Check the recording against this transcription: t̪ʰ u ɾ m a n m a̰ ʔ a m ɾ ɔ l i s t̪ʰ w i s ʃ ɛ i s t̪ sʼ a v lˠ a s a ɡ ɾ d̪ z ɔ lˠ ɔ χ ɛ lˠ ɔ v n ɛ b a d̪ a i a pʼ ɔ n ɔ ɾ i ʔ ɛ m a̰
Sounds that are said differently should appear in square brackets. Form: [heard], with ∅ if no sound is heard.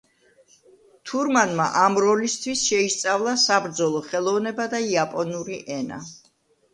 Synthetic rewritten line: t̪ʰ u ɾ m a n m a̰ ʔ a m ɾ ɔ l i s t̪ʰ w i s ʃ ɛ i s t̪ sʼ a v lˠ a s a [b] ɾ d̪ z ɔ lˠ ɔ χ ɛ lˠ ɔ v n ɛ b a d̪ a i a pʼ ɔ n [u] ɾ i ʔ ɛ [n] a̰